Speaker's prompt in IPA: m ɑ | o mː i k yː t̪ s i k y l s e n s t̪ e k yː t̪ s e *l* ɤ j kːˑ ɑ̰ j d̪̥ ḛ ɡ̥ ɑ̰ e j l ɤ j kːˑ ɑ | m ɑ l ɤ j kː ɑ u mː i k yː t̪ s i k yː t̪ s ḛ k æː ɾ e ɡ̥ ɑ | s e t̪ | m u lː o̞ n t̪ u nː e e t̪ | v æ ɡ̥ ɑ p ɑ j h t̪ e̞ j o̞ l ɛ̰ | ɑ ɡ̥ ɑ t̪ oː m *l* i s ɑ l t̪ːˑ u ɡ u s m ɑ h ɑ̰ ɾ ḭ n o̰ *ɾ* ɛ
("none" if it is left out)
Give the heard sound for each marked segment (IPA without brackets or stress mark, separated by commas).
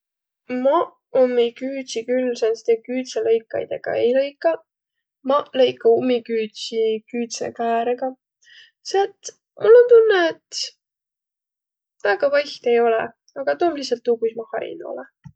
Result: l, l, l